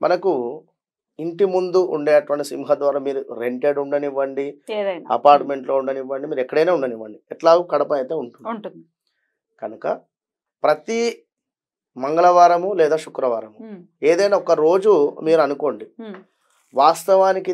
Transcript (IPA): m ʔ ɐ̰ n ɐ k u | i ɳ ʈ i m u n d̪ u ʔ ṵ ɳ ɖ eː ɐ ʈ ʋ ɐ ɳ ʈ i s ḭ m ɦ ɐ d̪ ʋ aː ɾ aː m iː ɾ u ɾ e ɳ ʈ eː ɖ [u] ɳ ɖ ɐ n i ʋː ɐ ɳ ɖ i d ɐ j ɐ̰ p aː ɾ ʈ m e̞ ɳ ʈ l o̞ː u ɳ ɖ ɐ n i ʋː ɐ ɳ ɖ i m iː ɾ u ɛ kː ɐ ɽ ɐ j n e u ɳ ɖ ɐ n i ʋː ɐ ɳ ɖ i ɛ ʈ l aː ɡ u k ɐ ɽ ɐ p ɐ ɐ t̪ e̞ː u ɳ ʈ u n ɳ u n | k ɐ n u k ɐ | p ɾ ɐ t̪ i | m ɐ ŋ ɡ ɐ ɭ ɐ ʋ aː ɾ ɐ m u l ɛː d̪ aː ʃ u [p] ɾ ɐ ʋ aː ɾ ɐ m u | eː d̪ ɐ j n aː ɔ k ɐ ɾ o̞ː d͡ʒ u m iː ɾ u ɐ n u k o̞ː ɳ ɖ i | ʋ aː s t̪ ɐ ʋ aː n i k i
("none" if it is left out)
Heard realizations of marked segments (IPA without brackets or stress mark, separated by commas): u, k